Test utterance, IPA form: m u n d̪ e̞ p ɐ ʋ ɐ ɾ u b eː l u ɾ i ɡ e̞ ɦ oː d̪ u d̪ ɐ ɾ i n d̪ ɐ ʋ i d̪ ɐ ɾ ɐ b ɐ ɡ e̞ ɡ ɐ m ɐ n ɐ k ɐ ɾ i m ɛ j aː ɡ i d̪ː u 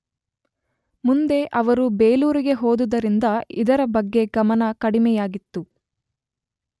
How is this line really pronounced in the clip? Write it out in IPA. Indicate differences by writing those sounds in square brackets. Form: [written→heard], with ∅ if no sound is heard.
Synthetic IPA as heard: m u n d̪ e̞ [p→ʔ] ɐ ʋ ɐ ɾ u b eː l [u→uː] ɾ i ɡ e̞ ɦ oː d̪ u d̪ ɐ ɾ i n d̪ ɐ [ʋ→∅] i d̪ ɐ ɾ ɐ b ɐ [ɡ→ɡː] e̞ ɡ ɐ m ɐ n ɐ k ɐ [ɾ→ɽ] i m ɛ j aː ɡ i [d̪ː→t̪ː] u